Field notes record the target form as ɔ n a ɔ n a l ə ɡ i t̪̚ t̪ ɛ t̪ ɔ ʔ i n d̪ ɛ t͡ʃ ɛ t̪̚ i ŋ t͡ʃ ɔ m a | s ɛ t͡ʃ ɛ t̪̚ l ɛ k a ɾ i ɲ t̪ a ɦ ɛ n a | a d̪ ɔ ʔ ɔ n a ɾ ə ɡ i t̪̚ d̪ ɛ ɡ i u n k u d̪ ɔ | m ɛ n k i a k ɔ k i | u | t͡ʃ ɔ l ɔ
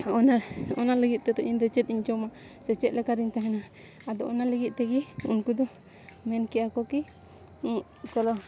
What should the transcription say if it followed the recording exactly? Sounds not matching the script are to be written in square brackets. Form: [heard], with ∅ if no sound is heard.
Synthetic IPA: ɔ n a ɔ n a l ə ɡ i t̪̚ t̪ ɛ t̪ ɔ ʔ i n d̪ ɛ t͡ʃ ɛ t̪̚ i [ɲ] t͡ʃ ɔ m a | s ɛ t͡ʃ ɛ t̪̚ l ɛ k a ɾ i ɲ t̪ a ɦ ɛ n a | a d̪ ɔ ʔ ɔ n a [l] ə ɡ i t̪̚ [t̪] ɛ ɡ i u n k u d̪ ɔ | m ɛ n k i a k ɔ k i | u | t͡ʃ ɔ l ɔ

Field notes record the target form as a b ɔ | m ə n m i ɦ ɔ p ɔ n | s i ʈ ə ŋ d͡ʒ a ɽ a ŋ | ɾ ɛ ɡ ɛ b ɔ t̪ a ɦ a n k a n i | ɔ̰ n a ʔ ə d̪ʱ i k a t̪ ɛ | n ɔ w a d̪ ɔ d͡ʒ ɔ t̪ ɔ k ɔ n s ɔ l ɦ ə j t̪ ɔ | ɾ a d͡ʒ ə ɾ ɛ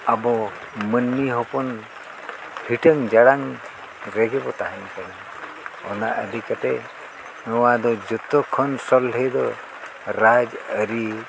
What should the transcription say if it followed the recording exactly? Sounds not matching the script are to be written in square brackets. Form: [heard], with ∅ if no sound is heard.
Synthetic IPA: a b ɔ | m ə n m i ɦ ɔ p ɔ n | [h] i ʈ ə ŋ d͡ʒ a ɽ a ŋ | ɾ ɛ ɡ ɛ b ɔ t̪ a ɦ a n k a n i | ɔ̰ n a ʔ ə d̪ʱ i k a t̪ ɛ | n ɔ w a d̪ ɔ d͡ʒ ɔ t̪ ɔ [kʰ] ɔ n s ɔ l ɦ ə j [d̪] ɔ | ɾ a d͡ʒ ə ɾ [i]

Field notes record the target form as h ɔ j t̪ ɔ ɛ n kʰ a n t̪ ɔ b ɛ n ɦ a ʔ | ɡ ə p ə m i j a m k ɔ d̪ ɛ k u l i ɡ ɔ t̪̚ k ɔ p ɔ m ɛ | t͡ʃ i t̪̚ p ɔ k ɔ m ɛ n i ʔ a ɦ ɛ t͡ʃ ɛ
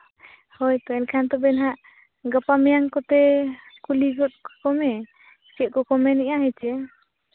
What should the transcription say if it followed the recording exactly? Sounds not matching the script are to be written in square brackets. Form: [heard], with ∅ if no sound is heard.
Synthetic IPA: h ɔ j t̪ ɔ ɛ n kʰ a n t̪ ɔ b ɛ n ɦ a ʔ | ɡ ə p [a] m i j a [ŋ] k ɔ [t̪] ɛ k u l i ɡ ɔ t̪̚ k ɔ [k] ɔ m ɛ | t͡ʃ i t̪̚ [k] ɔ k ɔ m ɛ n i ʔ a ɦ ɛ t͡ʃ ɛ

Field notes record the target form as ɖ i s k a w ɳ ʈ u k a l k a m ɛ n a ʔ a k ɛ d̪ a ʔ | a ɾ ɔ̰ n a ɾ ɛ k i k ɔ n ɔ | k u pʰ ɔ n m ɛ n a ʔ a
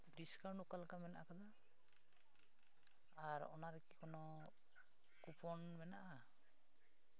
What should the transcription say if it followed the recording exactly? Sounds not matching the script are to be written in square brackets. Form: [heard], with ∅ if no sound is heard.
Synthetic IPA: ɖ i s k a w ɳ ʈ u k a l k a m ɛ n a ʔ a k [a] d̪ a [∅] | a ɾ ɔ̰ n a ɾ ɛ k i k ɔ n ɔ | k u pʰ ɔ n m ɛ n a ʔ a

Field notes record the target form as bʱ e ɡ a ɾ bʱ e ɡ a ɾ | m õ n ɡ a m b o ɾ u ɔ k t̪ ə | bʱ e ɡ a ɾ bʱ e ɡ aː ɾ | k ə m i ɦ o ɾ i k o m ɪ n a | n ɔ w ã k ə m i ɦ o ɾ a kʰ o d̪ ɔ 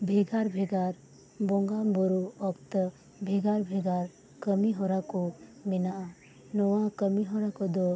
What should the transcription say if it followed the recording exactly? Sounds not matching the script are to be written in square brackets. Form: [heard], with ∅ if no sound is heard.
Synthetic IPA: bʱ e ɡ a ɾ bʱ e ɡ a ɾ | [b] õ [ŋ] ɡ a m b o ɾ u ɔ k t̪ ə | bʱ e ɡ a ɾ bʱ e ɡ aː ɾ | k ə m i ɦ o ɾ [a] k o m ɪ n a | n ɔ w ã k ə m i ɦ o ɾ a [k] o d̪ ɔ

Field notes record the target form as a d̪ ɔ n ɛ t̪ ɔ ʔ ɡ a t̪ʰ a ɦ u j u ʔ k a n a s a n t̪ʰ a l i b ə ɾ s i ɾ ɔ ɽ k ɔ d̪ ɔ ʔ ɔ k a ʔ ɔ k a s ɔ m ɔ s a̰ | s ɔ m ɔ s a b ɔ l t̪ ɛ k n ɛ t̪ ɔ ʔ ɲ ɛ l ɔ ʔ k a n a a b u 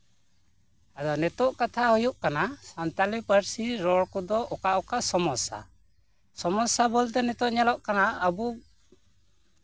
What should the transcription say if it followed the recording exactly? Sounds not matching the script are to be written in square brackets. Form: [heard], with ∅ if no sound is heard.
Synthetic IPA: a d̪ ɔ n ɛ t̪ ɔ ʔ [k] a t̪ʰ a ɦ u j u ʔ k a n a s a n [t̪] a l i [p] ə ɾ s i ɾ ɔ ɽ k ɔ d̪ ɔ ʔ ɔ k a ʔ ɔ k a s ɔ m ɔ s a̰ | s ɔ m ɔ s a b ɔ l t̪ ɛ [∅] n ɛ t̪ ɔ ʔ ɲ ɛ l ɔ ʔ k a n a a b u

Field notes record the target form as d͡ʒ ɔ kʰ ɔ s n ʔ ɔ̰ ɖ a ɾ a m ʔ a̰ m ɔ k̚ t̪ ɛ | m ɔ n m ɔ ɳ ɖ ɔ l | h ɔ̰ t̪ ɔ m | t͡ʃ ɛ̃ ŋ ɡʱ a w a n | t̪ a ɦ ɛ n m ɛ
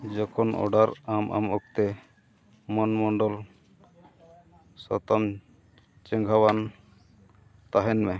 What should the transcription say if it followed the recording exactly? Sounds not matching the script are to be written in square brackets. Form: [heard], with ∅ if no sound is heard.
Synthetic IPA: d͡ʒ ɔ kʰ ɔ [∅] n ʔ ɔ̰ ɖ a ɾ a m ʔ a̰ m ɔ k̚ t̪ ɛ | m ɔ n m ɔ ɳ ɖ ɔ l | [s] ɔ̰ t̪ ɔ m | t͡ʃ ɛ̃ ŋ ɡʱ a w a n | t̪ a ɦ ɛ n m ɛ

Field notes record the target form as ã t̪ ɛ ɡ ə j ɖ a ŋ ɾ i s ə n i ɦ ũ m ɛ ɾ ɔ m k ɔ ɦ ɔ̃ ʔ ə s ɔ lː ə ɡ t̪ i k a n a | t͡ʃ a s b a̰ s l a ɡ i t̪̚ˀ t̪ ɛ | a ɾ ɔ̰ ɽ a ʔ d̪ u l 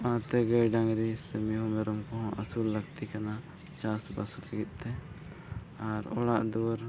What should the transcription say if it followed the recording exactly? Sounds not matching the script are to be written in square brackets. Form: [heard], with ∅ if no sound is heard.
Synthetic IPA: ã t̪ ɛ ɡ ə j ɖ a ŋ ɾ i s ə [m] i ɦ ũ m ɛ ɾ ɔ m k ɔ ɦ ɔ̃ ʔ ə s [u] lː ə ɡ t̪ i k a n a | t͡ʃ a s b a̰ s l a ɡ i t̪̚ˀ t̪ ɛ | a ɾ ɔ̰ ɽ a ʔ d̪ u [ɾ]

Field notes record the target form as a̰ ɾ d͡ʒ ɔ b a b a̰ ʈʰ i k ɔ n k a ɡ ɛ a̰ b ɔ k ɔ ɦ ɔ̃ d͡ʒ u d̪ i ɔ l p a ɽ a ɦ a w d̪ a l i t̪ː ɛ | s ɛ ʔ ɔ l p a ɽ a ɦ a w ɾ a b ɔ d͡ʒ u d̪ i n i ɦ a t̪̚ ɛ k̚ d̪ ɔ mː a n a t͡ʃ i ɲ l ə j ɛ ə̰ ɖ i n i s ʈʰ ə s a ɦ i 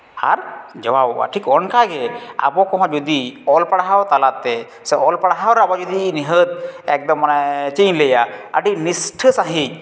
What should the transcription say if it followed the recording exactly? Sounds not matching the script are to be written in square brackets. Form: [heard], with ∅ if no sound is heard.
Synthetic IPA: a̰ ɾ d͡ʒ ɔ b a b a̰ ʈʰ i k ɔ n k a ɡ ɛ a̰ b ɔ k ɔ ɦ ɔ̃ d͡ʒ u d̪ i ɔ l p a ɽ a ɦ a w [t̪] a l [a] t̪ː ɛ | s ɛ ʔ ɔ l p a ɽ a ɦ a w ɾ a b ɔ d͡ʒ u d̪ i n i ɦ [ə] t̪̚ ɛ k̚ d̪ ɔ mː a n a t͡ʃ i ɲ l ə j [a] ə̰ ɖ i n i s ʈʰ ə s a ɦ i

